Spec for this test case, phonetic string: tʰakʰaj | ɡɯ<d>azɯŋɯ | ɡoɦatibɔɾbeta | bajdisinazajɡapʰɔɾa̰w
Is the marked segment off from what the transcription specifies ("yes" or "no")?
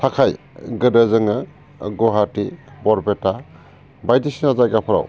no